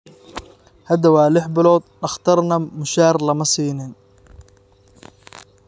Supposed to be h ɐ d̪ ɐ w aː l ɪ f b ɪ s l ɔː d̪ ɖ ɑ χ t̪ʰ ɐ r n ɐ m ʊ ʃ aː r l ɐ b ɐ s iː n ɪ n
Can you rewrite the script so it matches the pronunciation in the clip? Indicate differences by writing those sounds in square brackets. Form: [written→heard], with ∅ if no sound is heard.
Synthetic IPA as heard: h ɐ d̪ ɐ w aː l ɪ [f→ħ] b ɪ [s→∅] l ɔː d̪ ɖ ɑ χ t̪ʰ ɐ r n ɐ m ʊ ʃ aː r l ɐ [b→m] ɐ s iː n ɪ n